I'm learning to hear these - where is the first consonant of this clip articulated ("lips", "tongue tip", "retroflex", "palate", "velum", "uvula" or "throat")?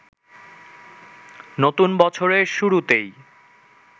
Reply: tongue tip